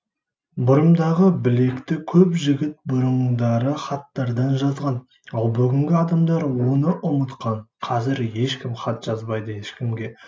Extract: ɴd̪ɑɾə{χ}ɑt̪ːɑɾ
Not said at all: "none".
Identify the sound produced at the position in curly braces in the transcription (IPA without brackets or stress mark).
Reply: χ